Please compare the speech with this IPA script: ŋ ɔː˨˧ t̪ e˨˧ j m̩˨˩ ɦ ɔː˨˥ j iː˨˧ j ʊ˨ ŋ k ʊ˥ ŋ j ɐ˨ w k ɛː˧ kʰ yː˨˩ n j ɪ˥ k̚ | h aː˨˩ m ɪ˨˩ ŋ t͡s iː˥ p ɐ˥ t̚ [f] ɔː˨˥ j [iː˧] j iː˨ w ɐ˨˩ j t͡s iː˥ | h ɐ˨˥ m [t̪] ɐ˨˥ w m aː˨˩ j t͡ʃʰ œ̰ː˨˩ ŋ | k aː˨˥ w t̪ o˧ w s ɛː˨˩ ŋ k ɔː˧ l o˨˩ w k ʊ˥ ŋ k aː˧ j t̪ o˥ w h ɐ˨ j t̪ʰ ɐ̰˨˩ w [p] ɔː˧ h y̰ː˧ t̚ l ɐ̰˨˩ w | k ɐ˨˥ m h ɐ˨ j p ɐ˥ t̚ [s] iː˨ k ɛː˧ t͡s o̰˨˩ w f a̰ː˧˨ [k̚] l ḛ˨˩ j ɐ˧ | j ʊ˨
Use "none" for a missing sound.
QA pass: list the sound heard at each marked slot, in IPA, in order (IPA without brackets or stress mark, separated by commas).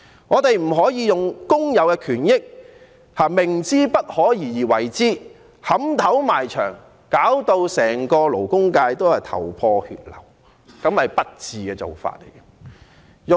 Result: h, iː˨˩, t̪ʰ, pʰ, t͡s, t̚